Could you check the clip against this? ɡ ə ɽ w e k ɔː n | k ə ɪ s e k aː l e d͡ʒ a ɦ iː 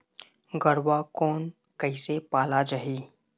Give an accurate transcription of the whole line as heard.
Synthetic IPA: ɡ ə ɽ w a k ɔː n | k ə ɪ s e p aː l a d͡ʒ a ɦ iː